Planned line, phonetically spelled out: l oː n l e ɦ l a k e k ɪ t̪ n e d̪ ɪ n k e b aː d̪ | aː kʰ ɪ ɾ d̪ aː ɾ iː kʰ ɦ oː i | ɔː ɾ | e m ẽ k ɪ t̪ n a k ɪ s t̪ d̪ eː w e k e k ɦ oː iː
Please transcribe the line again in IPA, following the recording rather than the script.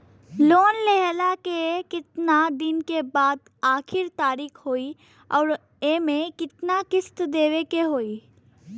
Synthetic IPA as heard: l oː n l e ɦ l a k e k ɪ t̪ n a d̪ ɪ n k e b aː d̪ | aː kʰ ɪ ɾ t̪ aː ɾ iː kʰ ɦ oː i | ɔː ɾ | e m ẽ k ɪ t̪ n a k ɪ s t̪ d̪ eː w e k e ɦ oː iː